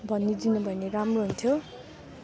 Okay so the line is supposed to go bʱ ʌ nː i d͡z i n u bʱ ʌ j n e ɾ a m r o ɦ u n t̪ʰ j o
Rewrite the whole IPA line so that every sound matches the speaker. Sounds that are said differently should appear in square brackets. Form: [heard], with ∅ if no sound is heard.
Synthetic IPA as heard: bʱ ʌ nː i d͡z i n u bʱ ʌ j n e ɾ a m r o ɦ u n t̪ʰ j o